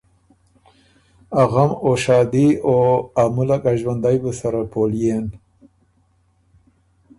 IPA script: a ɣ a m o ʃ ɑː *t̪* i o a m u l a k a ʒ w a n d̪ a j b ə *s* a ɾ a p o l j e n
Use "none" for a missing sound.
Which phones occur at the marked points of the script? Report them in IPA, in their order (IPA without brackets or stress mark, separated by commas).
d̪, s